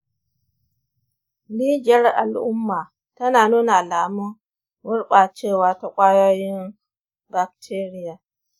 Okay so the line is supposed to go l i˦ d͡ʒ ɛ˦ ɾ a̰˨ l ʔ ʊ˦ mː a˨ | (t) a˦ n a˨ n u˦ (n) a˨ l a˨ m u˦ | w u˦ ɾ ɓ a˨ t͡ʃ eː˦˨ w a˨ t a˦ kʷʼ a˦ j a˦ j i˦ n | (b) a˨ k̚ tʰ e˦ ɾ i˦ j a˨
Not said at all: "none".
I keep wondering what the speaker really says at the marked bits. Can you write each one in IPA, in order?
t, n, b

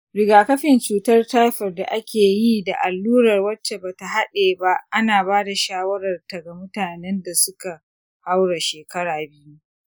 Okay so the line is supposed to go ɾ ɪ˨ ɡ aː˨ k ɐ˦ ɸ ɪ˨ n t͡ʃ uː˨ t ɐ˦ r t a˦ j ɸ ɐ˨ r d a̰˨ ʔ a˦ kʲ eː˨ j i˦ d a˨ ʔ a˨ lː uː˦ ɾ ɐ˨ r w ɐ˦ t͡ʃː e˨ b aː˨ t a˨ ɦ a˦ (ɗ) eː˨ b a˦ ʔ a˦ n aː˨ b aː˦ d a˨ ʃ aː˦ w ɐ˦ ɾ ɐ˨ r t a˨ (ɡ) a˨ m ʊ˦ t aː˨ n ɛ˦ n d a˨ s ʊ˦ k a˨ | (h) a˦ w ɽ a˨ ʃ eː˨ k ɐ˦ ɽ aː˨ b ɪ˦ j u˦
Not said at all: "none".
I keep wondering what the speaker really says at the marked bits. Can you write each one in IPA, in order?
ɗ, ɡ, h

